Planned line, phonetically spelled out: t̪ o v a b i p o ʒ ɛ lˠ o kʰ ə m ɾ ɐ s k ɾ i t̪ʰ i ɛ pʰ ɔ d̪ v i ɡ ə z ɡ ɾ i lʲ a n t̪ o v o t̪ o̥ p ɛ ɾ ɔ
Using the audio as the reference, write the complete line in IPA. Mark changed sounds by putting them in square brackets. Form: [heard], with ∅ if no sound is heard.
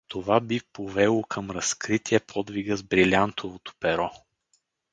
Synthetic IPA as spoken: t̪ o v a b i p o [v] ɛ lˠ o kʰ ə m ɾ ɐ s k ɾ i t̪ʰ i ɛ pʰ ɔ d̪ v i ɡ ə z [b] ɾ i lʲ a n t̪ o v o t̪ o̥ p ɛ ɾ ɔ